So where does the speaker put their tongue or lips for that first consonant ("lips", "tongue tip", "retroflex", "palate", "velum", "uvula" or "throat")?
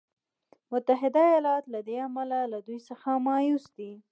lips